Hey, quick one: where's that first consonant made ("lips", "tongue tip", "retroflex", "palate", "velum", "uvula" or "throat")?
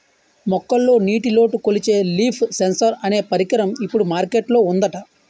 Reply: lips